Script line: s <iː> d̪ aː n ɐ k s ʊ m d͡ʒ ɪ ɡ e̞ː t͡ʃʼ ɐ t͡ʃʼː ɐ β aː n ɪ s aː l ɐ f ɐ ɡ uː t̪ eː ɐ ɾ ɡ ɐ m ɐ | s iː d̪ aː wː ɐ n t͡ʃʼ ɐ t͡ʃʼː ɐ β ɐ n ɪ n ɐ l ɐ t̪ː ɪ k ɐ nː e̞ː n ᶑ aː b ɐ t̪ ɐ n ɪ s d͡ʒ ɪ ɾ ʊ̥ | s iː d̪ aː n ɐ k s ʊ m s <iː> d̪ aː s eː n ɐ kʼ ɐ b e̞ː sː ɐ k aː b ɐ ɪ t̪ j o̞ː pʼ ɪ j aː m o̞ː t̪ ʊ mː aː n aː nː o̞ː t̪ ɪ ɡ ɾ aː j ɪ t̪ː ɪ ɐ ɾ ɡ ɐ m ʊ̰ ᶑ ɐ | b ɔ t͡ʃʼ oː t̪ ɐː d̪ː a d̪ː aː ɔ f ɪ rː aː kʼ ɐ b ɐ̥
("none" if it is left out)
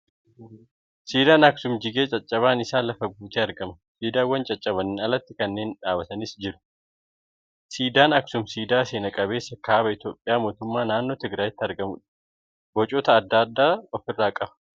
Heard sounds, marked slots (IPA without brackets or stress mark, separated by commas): iː, iː